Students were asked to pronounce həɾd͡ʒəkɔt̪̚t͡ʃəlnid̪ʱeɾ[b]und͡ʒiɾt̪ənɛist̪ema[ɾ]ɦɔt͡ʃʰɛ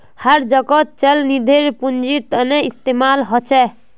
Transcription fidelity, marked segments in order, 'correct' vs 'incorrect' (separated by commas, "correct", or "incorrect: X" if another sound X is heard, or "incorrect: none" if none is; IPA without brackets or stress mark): incorrect: p, incorrect: l